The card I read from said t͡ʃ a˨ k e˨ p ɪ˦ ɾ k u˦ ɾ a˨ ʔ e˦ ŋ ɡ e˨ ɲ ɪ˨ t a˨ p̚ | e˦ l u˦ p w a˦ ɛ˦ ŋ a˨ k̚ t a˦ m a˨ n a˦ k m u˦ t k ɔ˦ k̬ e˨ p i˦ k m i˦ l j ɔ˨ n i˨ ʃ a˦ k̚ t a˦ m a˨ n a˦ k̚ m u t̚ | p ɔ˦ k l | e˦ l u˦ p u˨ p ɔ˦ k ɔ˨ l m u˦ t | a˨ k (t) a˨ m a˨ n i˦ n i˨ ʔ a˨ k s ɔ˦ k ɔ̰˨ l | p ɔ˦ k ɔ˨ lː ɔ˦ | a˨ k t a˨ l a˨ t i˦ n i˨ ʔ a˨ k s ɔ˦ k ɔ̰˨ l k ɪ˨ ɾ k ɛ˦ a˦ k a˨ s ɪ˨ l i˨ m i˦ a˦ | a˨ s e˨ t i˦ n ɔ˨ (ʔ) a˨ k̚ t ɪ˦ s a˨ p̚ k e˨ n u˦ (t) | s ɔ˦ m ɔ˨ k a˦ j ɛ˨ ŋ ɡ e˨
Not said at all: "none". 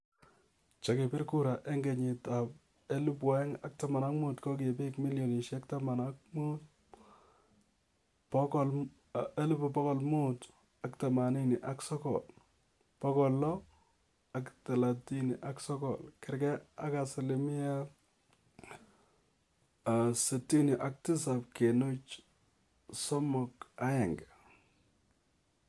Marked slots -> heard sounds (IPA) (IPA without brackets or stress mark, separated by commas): t, ʔ, t͡ʃ